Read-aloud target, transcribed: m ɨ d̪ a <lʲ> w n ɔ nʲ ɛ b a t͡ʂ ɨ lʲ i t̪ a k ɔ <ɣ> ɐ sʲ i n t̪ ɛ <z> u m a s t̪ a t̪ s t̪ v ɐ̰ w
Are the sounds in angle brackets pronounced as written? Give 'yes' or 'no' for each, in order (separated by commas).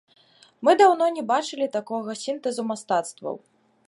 no, yes, yes